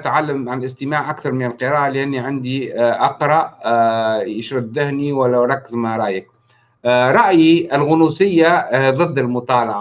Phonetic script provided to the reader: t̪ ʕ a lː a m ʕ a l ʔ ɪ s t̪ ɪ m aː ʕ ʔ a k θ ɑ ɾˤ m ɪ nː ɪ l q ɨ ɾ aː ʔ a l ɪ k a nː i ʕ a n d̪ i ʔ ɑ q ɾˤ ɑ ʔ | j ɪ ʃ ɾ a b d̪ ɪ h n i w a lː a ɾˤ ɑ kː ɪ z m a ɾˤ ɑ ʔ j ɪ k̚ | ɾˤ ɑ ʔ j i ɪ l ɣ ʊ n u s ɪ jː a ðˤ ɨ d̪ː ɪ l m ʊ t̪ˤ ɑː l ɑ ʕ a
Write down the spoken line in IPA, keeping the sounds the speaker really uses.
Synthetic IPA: t̪ ʕ a lː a m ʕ a l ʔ ɪ s t̪ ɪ m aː ʕ ʔ a k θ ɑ ɾˤ m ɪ n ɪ l q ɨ ɾ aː ʔ a l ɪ ʔ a nː i ʕ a n d̪ i ʔ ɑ q ɾˤ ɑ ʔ | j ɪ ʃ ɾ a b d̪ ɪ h n i w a lː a ɾˤ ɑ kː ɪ z m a ɾˤ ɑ ʔ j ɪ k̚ | ɾˤ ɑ ʔ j i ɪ l ɣ ʊ n u s ɪ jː a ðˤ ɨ d̪ː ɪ l m ʊ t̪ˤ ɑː l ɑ ʕ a